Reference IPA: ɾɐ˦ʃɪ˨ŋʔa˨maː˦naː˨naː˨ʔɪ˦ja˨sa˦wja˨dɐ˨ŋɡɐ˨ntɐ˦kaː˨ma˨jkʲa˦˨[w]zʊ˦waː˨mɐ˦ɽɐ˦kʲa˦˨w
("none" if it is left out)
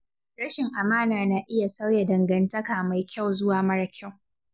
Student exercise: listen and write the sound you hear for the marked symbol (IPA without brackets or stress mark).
w